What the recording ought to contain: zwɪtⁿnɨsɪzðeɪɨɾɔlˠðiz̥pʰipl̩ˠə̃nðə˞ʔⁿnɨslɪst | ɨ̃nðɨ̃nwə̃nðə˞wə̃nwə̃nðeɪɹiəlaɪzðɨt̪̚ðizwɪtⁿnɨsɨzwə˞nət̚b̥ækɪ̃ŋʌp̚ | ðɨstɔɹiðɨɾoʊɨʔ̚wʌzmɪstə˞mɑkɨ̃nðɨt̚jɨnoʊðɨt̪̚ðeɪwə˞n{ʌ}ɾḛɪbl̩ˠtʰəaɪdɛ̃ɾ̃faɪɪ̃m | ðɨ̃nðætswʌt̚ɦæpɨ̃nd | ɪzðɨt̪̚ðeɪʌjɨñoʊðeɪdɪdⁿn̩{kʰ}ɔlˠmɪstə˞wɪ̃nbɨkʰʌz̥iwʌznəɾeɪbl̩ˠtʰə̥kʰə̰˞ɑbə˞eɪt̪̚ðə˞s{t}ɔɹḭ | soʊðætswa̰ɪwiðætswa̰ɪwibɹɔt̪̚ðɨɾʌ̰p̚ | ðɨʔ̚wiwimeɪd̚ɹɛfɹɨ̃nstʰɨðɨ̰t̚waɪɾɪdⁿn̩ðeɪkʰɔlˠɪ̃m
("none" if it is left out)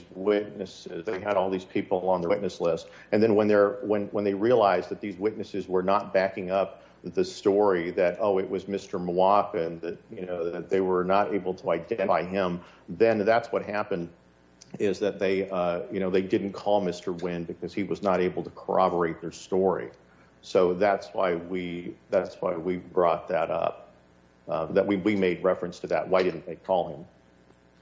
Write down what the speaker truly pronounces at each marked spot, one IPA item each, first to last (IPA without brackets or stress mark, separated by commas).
ə, kʰ, t